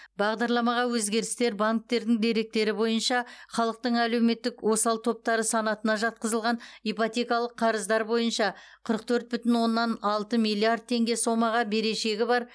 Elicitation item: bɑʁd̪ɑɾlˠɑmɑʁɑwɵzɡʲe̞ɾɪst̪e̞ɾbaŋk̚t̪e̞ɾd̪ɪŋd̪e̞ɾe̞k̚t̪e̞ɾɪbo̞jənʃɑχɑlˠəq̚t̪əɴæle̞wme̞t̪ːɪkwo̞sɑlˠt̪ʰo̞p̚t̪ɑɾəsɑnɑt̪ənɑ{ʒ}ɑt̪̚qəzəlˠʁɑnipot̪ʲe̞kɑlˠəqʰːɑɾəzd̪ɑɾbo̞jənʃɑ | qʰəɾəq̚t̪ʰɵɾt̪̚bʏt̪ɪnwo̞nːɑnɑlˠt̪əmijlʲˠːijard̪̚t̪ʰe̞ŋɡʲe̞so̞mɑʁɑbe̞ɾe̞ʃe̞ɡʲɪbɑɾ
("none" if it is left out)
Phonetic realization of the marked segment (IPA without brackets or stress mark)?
ʒ